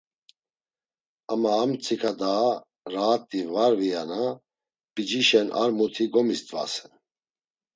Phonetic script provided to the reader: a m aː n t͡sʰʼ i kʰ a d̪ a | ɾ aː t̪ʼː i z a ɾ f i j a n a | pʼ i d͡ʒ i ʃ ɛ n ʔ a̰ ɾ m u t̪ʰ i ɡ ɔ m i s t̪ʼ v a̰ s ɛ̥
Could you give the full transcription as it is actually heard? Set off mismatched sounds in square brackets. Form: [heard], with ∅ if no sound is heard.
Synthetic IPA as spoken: a m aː [m] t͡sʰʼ i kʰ a d̪ a | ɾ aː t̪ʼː i [v] a ɾ [v] i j a n a | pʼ i d͡ʒ i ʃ ɛ n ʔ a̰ ɾ m u t̪ʰ i ɡ ɔ m i s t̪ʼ v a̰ s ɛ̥